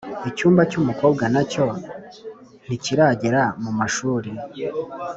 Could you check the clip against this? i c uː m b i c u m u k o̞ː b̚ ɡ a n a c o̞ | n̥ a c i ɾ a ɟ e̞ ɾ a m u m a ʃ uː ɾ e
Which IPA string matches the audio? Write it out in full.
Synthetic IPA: i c uː m b a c u m u k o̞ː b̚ ɡ a n a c o̞ | n̥ i c i ɾ a ɟ e̞ ɾ a m u m a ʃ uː ɾ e

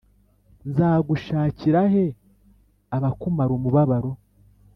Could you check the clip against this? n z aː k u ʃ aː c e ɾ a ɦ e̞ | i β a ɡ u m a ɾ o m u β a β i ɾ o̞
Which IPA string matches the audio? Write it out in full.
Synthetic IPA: n z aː ɡ u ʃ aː c i ɾ a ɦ e̞ | a β a k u m a ɾ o m u β a β a ɾ o̞

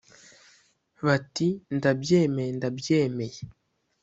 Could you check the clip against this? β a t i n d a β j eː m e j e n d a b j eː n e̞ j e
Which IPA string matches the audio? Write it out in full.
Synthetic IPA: β a t i n d a b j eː m e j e n d a b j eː m e̞ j e

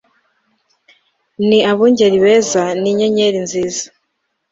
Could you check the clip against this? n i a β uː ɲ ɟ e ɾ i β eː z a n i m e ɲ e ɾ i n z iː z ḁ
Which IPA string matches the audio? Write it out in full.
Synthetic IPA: n i a β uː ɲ ɟ e ɾ i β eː z a n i ɲ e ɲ e ɾ i n z iː z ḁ

